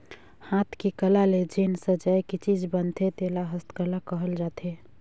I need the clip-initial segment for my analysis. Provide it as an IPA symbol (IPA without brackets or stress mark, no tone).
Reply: h